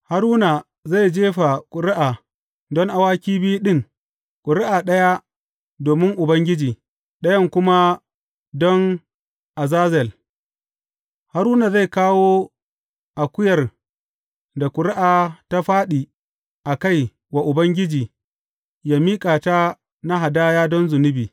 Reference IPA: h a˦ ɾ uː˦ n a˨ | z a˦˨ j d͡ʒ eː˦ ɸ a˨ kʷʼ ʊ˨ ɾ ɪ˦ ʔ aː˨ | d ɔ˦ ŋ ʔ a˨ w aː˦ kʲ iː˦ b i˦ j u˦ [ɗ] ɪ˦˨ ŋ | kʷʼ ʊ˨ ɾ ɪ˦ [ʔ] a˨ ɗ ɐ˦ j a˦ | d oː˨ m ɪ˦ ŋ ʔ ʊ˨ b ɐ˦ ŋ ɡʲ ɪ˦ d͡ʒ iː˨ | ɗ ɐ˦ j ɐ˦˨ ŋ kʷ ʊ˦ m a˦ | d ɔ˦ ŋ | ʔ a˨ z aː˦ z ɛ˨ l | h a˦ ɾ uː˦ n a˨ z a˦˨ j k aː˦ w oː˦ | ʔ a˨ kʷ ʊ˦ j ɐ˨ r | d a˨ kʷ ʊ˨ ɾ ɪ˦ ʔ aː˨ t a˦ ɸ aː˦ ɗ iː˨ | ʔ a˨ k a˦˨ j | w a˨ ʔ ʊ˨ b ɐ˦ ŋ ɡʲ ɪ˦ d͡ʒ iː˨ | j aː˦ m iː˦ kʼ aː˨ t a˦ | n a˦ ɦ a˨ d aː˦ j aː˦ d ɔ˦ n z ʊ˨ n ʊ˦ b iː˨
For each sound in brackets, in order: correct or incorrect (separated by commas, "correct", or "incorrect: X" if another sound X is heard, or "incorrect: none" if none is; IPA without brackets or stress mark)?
correct, correct